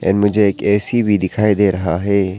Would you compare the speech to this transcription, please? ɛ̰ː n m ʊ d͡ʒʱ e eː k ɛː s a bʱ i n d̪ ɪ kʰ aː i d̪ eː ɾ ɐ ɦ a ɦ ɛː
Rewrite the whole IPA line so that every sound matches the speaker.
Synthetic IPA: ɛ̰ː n m ʊ d͡ʒʱ e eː k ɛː s i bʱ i d̪ ɪ kʰ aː i d̪ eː ɾ ɐ ɦ a ɦ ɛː